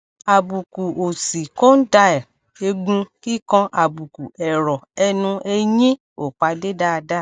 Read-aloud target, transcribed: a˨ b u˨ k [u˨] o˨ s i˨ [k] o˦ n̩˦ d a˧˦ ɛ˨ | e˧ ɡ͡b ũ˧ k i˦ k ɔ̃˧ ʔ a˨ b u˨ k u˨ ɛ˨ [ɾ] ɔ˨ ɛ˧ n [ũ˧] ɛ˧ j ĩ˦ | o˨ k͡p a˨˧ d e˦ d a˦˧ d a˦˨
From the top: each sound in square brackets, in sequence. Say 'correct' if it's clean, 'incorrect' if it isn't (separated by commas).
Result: correct, correct, correct, correct